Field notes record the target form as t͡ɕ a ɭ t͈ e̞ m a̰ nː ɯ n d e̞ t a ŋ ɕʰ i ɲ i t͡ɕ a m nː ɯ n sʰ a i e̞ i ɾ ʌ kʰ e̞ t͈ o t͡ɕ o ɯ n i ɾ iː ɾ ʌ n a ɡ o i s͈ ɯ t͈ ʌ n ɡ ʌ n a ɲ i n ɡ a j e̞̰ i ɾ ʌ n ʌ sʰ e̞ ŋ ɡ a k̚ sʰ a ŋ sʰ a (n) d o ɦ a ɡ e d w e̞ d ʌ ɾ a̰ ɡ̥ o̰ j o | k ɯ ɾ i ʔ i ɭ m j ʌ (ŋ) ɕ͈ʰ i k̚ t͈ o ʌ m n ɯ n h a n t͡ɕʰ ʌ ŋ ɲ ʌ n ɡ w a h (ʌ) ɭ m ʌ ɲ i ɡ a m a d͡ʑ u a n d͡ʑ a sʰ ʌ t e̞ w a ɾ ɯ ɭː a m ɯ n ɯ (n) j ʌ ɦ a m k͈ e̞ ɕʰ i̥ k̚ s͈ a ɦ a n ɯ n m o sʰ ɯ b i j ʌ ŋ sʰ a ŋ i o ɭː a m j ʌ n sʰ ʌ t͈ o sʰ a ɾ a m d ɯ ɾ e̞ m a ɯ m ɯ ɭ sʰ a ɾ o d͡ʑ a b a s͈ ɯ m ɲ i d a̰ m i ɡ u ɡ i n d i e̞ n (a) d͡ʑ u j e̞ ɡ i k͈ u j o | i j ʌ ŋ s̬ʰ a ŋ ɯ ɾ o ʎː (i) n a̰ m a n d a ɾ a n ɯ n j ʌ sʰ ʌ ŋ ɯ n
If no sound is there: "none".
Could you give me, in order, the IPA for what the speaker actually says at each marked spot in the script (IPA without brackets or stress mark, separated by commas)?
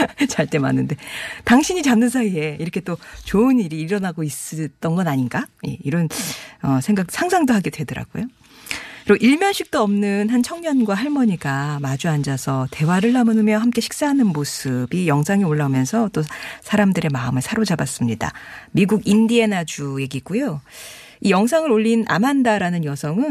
ŋ, n, a, m, a, i